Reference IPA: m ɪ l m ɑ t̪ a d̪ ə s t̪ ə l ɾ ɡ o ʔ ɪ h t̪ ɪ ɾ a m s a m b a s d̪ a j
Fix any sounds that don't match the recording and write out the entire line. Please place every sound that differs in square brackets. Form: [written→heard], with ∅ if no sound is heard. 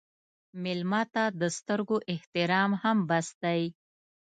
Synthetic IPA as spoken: m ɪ l m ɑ t̪ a d̪ ə s t̪ ə [l→∅] ɾ ɡ o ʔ ɪ h t̪ ɪ ɾ [a→ɑ] m [s→h] a m b a s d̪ a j